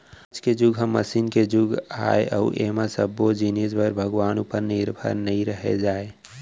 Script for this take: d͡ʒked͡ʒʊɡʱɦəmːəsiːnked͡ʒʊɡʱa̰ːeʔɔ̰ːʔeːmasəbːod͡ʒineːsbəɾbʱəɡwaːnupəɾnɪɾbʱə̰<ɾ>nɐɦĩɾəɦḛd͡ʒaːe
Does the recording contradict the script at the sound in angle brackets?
no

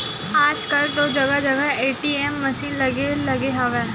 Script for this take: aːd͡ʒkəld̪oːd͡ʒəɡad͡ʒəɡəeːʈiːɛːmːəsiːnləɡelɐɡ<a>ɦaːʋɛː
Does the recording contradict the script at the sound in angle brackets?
yes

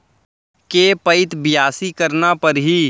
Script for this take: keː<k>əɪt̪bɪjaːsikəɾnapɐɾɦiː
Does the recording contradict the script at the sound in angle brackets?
yes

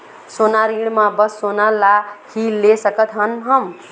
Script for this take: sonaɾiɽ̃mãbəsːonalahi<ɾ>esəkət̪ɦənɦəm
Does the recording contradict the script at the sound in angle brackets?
yes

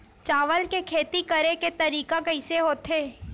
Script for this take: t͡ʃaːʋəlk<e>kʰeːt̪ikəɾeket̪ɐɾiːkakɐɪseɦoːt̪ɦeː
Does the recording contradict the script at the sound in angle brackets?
no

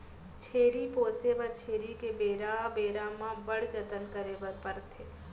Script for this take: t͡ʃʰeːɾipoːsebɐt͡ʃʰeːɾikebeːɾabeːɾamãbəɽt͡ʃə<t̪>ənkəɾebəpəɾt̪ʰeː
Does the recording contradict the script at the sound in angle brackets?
no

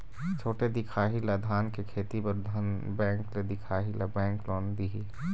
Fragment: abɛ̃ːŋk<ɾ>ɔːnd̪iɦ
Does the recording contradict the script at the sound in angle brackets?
yes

